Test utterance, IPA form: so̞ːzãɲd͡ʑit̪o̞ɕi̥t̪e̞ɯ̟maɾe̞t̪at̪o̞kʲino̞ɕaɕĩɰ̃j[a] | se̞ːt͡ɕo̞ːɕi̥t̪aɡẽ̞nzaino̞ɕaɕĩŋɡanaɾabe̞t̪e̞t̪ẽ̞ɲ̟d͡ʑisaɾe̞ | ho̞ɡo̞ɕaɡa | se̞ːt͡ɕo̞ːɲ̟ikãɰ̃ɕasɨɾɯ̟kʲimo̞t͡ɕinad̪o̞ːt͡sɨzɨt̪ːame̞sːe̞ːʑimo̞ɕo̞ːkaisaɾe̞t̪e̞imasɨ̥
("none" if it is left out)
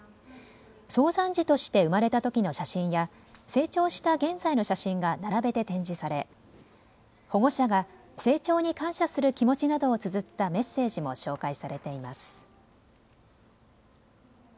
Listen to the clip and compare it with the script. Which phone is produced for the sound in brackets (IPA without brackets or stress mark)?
a